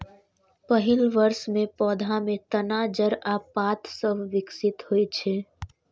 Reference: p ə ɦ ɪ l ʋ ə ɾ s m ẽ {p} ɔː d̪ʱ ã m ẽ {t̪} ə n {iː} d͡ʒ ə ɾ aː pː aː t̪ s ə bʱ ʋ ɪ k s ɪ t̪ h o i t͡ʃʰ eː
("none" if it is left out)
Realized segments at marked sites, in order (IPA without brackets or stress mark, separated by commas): p, t̪, aː